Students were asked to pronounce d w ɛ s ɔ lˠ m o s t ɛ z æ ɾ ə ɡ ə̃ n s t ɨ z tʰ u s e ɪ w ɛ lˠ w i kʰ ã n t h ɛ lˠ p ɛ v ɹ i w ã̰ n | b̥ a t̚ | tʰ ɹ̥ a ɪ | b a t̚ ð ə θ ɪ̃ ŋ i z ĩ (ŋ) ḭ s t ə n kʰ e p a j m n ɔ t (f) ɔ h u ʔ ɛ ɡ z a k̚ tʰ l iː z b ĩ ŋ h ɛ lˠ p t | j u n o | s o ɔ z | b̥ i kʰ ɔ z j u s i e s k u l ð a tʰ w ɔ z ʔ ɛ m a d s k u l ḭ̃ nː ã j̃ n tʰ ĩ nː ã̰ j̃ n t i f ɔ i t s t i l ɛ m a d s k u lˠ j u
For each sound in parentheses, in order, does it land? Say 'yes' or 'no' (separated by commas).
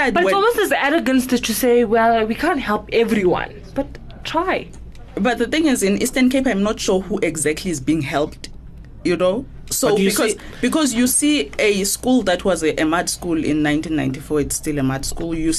no, no